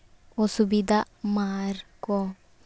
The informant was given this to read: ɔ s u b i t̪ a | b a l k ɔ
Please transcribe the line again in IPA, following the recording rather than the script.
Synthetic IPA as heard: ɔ s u b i d̪ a | m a ɾ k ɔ